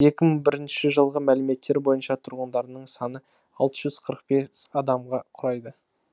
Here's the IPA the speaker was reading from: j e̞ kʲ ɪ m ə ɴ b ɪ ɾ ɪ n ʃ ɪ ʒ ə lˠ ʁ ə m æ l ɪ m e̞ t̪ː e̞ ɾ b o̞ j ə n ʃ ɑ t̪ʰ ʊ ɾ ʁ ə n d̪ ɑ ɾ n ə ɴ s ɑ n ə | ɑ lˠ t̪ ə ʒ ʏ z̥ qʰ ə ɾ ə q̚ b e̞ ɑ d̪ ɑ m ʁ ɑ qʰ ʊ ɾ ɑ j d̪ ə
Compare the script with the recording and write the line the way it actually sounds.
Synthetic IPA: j e̞ kʲ ɪ m ə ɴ b ɪ ɾ ɪ n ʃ ɪ ʒ ə lˠ ʁ ə m æ l ɪ m e̞ t̪ː e̞ ɾ b o̞ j ə n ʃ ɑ t̪ʰ ʊ ɾ ʁ ə n d̪ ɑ ɾ n ə ɴ s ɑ n ə | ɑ lˠ t̪ ə ʒ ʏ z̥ qʰ ə ɾ ə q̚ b e̞ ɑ d̪ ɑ m ʁ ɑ qʰ ʊ ɾ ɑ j d̪ ə